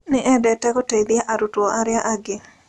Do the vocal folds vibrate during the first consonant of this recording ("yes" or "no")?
yes